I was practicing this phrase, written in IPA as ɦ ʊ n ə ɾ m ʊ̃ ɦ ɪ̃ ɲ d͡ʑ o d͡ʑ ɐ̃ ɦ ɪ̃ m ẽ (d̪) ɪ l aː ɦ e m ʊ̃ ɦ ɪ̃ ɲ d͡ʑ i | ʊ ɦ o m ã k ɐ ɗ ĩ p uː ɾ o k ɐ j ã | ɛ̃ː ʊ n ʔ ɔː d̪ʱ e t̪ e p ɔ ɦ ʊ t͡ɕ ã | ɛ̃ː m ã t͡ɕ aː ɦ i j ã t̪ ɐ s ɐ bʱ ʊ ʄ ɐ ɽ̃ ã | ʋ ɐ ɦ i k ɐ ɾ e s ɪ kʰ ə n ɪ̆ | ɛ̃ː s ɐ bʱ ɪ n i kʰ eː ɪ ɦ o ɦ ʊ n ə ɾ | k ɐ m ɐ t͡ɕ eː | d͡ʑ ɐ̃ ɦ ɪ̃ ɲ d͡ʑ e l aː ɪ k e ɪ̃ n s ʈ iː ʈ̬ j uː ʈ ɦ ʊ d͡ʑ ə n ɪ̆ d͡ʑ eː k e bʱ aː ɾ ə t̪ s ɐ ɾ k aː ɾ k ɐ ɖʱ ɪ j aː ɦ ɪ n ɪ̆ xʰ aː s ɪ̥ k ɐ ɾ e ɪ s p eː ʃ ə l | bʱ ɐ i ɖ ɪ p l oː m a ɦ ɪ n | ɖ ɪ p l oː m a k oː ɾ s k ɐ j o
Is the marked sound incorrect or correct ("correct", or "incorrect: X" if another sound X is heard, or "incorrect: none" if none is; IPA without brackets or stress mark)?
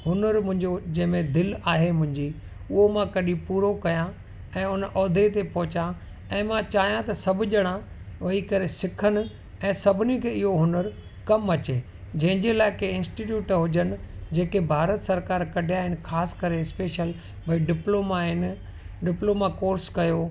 correct